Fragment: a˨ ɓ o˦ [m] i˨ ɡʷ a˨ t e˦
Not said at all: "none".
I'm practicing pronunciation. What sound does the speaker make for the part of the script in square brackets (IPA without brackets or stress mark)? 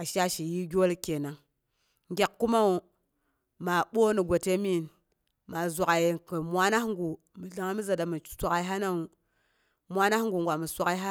n